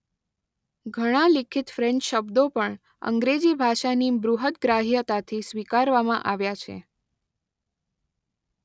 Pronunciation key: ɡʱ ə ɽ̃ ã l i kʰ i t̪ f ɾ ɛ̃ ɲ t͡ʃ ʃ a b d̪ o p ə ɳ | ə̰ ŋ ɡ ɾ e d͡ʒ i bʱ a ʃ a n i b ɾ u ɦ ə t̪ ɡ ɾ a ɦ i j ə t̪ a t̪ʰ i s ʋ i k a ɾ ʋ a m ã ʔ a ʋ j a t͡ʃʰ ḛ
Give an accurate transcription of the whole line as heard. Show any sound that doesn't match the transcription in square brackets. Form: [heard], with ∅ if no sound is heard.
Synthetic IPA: ɡʱ ə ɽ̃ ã l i kʰ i t̪ f ɾ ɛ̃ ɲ t͡ʃ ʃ [ə] b d̪ o p ə ɳ | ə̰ ŋ ɡ ɾ e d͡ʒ i bʱ a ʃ a n i b ɾ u ɦ ə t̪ ɡ ɾ a ɦ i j ə t̪ a t̪ʰ i s ʋ i k a ɾ ʋ a m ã ʔ a ʋ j a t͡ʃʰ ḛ